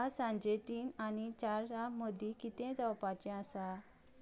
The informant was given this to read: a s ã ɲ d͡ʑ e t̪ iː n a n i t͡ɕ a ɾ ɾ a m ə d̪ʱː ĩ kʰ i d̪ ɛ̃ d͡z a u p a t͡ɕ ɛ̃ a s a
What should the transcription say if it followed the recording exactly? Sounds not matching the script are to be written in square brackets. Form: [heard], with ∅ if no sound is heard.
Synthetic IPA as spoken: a s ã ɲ d͡ʑ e t̪ iː n a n i t͡ɕ a ɾ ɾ a m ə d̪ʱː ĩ [k] i [t̪] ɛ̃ d͡z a [w] p a t͡ɕ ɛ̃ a s a